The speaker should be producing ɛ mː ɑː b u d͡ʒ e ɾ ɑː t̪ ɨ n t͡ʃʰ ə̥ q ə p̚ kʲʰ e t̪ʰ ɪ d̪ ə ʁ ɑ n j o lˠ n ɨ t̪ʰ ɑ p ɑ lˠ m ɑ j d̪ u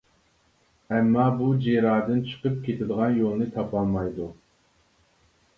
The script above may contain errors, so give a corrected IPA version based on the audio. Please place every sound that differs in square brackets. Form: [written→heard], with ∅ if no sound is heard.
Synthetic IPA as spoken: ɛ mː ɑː b u d͡ʒ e ɾ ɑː [t̪→d̪] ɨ n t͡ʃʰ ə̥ q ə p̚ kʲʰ e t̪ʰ ɪ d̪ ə ʁ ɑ n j o lˠ n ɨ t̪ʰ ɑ p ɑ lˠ m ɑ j d̪ u